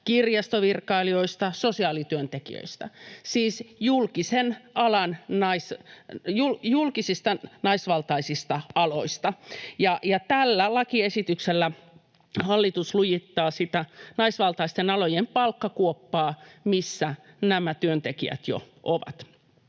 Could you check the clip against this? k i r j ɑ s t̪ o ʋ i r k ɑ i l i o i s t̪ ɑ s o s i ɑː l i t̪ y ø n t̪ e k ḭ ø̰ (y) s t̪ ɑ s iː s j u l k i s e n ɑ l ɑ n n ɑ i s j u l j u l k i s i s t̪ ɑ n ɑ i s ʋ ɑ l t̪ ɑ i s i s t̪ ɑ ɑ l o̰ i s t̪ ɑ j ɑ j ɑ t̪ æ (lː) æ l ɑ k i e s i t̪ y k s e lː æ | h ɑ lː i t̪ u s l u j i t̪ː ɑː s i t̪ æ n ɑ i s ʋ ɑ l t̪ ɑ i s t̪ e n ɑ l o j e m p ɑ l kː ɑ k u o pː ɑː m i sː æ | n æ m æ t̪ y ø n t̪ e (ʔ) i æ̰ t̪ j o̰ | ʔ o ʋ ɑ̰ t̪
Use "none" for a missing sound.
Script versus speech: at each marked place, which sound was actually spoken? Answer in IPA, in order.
i, lː, k

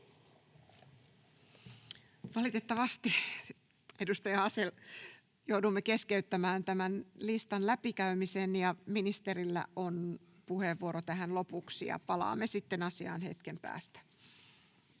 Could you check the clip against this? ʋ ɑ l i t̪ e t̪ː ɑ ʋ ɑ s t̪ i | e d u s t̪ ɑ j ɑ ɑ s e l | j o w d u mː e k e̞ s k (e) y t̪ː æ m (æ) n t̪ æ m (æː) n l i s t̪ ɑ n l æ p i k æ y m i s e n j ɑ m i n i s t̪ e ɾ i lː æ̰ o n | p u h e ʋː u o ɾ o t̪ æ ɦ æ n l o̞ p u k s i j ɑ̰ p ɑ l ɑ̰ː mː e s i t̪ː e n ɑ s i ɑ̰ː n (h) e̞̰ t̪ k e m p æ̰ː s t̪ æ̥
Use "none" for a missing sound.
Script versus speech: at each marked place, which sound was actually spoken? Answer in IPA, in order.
e, æː, æ, h

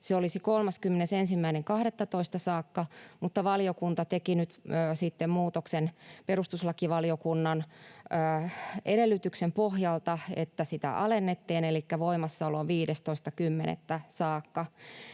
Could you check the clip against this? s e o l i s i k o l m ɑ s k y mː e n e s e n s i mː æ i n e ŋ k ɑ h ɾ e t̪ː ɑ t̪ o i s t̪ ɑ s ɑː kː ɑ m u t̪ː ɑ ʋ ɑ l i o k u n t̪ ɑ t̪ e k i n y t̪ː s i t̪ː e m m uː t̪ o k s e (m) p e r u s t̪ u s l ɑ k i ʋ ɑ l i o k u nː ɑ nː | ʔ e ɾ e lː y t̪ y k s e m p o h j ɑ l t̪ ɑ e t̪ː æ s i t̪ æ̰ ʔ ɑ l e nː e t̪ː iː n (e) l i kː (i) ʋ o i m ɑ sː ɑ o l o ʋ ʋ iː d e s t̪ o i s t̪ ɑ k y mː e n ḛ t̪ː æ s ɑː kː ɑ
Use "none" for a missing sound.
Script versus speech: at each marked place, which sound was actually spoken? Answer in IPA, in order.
n, e, æ

